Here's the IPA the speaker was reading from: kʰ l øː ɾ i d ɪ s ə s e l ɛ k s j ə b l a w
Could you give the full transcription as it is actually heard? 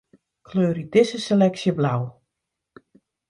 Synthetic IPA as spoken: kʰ l øː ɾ i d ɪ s ə s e l ɛ k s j ə b l a w